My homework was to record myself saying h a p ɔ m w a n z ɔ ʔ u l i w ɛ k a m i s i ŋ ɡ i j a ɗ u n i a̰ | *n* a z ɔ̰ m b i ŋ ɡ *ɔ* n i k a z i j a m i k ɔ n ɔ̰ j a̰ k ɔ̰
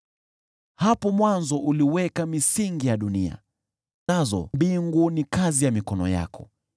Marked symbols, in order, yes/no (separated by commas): yes, no